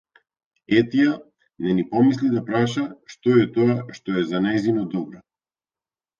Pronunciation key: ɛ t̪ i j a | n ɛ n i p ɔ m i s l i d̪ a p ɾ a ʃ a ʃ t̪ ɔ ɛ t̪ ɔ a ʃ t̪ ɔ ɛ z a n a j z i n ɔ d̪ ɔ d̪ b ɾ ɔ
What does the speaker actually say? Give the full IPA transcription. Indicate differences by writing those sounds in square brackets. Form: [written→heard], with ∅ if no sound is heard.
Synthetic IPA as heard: ɛ t̪ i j a | n ɛ n i p ɔ m i s l i d̪ a p ɾ a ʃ a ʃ t̪ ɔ ɛ t̪ ɔ a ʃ t̪ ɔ ɛ z a n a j z i n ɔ d̪ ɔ [d̪→∅] b ɾ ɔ